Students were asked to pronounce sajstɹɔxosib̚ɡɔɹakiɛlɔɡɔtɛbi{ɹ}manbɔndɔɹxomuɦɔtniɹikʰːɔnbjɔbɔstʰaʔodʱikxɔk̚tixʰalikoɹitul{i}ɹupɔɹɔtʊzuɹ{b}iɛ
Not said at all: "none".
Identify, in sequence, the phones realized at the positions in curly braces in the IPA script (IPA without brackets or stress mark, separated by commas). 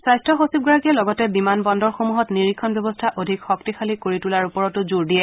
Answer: none, a, d